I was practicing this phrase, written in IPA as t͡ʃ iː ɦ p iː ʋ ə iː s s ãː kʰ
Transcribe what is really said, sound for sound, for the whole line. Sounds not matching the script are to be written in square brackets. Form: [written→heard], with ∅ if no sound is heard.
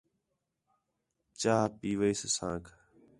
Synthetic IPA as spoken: t͡ʃ [iː→aː] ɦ p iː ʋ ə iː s s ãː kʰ